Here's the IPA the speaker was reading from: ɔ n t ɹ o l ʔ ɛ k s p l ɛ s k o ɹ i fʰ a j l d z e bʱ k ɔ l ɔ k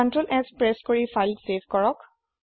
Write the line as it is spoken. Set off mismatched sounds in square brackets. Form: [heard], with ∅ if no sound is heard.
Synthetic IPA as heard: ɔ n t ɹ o l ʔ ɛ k s p [ɹ] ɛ s k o ɹ i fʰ a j l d [s] e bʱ k ɔ [ɹ] ɔ k